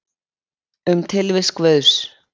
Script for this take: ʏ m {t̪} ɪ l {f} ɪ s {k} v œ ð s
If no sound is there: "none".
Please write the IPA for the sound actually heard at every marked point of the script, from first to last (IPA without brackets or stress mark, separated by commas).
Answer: t̪ʰ, v, k